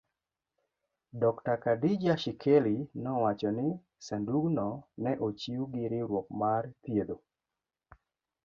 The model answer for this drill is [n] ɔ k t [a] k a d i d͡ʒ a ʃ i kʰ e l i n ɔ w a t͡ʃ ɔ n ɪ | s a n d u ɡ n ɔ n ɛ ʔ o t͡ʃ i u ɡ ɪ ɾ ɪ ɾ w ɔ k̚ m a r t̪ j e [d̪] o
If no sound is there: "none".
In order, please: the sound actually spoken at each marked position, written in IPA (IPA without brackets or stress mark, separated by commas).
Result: d, a, d̪